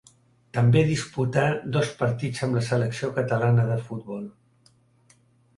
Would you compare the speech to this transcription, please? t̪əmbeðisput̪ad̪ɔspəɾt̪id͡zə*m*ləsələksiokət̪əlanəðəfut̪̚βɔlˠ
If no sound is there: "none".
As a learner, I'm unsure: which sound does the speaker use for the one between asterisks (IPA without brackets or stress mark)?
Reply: m